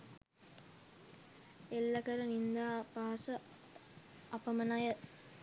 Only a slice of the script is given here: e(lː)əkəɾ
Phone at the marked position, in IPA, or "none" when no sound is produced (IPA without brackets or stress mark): lː